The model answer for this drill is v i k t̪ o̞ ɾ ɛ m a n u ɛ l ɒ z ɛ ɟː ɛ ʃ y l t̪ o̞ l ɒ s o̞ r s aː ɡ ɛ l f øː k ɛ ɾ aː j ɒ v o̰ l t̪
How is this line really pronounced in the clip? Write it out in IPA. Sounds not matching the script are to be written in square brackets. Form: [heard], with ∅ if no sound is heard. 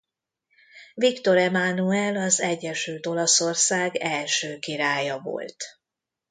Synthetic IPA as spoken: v i k t̪ o̞ ɾ ɛ m a n u ɛ l ɒ z ɛ ɟː ɛ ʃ y l t̪ o̞ l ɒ s o̞ r s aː ɡ ɛ l [ʃ] øː k [i] ɾ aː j ɒ v o̰ l t̪